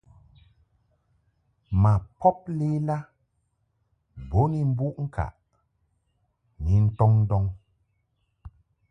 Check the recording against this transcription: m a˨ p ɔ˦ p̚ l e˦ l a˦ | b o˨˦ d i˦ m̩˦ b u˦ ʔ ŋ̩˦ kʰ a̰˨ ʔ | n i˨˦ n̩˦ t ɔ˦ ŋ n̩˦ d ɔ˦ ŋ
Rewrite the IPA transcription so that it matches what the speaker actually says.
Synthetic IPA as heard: m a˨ p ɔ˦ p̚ l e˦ l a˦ | b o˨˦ n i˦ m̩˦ b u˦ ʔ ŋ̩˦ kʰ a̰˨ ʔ | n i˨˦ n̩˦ t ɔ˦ ŋ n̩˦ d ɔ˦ ŋ